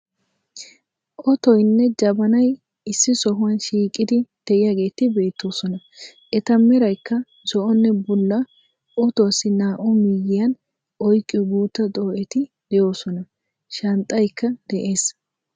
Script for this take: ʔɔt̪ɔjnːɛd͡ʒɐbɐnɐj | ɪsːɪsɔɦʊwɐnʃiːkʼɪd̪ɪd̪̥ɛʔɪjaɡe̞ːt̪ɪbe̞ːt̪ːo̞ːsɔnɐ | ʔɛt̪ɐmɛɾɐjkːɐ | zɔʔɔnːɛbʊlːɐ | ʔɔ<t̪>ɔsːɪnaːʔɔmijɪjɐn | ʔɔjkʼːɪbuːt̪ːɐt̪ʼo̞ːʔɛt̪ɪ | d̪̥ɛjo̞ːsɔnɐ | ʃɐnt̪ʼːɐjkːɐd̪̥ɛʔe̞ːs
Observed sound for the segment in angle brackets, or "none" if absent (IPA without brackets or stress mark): t̪